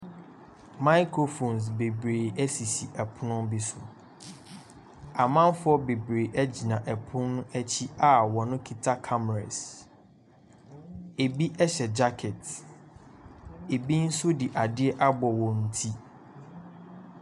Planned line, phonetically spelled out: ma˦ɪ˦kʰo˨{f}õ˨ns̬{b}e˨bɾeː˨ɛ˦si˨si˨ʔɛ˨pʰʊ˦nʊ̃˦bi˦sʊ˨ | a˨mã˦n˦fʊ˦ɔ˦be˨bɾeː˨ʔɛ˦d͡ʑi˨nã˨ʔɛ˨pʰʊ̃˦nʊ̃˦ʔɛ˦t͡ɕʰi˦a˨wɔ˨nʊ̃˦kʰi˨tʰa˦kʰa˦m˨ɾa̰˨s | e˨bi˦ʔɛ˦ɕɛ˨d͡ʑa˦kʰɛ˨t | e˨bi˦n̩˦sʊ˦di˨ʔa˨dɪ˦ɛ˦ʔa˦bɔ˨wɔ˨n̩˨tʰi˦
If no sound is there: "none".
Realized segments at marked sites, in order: f, b

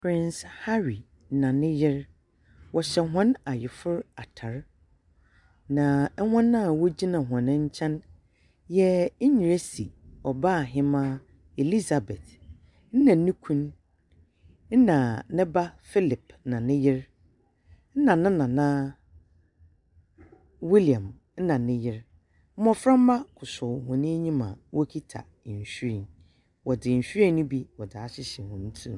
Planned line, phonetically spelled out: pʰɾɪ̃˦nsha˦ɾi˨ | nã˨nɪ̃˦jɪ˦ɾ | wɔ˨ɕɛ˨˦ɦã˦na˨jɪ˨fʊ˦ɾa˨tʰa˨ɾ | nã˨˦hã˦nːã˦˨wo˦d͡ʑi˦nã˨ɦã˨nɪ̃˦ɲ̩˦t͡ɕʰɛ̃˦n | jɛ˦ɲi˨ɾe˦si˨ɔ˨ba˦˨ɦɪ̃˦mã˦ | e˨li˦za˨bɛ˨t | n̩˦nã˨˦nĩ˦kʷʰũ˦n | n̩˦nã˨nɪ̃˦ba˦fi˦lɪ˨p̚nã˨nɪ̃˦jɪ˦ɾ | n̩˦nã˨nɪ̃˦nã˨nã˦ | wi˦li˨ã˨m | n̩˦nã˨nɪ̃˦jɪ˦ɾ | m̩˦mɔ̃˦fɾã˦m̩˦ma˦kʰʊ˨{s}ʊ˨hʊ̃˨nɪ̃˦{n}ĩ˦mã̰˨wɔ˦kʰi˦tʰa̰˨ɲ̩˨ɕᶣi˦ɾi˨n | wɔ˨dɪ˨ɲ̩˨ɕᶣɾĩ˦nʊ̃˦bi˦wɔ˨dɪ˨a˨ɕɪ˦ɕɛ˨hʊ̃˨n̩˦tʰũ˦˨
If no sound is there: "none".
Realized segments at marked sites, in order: s, ɲ

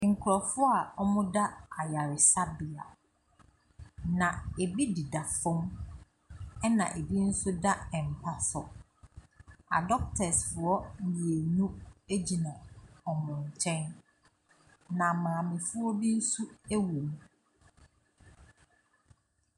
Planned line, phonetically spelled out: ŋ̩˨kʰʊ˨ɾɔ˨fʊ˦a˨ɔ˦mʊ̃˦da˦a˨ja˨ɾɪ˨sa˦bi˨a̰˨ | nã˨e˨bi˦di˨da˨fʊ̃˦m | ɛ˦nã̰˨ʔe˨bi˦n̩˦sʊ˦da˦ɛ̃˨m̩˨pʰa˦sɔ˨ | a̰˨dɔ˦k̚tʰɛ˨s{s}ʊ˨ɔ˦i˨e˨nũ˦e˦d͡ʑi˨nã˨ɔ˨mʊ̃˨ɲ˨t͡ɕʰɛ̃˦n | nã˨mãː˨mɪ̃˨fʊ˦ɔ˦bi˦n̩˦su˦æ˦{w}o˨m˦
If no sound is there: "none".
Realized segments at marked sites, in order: f, w

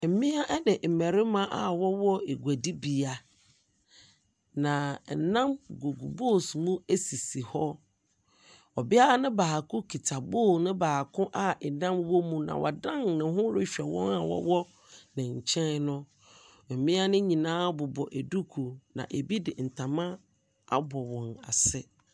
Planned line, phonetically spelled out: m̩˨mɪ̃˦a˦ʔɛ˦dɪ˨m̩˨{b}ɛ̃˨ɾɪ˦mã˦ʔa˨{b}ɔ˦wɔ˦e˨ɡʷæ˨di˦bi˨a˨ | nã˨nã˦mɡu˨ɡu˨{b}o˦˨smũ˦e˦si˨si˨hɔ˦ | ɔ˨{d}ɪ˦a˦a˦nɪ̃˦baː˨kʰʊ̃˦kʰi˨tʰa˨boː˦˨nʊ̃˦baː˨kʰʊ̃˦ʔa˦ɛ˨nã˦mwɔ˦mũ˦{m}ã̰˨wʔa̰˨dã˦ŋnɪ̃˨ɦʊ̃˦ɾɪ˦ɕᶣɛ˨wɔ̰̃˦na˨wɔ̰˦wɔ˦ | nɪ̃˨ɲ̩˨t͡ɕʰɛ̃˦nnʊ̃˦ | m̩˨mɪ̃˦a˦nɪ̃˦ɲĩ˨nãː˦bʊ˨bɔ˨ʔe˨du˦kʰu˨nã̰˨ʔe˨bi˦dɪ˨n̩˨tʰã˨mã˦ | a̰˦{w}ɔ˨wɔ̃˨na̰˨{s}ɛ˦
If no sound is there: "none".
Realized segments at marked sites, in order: m, w, b, b, n, b, s

